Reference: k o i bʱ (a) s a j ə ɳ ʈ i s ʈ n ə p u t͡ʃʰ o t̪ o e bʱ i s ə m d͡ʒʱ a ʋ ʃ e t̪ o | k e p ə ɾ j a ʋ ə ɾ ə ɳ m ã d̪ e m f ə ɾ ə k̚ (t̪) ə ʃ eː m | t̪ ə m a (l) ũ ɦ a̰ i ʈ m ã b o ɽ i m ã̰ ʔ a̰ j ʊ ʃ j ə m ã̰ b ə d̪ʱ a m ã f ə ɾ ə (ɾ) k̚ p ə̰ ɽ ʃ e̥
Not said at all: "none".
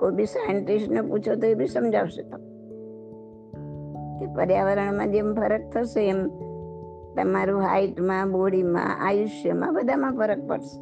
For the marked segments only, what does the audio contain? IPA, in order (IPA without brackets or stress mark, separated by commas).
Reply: i, t̪ʰ, ɾ, none